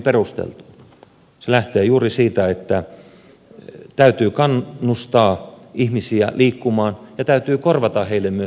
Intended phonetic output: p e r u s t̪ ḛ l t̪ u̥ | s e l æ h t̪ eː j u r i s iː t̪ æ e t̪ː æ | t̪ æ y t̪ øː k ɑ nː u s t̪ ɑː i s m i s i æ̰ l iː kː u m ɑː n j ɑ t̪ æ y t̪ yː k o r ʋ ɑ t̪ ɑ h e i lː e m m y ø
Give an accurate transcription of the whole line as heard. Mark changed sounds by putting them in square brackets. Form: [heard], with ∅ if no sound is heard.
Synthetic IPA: p e r u s t̪ ḛ l t̪ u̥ | s e l æ h t̪ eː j [uː] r i s iː t̪ æ e t̪ː æ | t̪ æ y t̪ [yː] k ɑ nː u s t̪ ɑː i [h] m i s i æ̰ l iː kː u m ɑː n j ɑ t̪ æ y t̪ yː k o r ʋ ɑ t̪ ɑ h e i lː e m m y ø